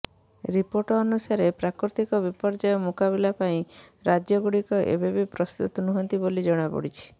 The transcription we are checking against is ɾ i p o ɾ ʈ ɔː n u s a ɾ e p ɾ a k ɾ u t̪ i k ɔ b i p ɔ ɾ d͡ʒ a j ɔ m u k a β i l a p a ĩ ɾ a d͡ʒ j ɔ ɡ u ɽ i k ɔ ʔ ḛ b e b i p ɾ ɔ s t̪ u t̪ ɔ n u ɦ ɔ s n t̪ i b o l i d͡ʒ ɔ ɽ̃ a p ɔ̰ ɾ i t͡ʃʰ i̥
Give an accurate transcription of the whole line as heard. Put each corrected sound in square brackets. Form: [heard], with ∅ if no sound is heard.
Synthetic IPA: ɾ i p o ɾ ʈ ɔː n u s a ɾ e p ɾ a k ɾ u t̪ i k ɔ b i p ɔ ɾ d͡ʒ a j ɔ m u k a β i l a p a ĩ ɾ a d͡ʒ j ɔ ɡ u ɽ i k ɔ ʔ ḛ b e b i p ɾ ɔ s t̪ u t̪ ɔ n u ɦ ɔ [∅] n t̪ i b o l i d͡ʒ ɔ ɽ̃ a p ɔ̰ [ɽ] i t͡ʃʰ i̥